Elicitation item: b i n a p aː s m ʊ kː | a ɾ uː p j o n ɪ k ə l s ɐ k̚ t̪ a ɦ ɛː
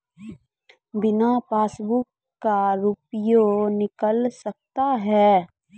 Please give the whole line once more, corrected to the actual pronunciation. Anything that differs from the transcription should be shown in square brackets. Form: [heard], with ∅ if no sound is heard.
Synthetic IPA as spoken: b [ɪ] n a p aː s [b] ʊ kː | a ɾ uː p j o n ɪ k ə l s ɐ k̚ t̪ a ɦ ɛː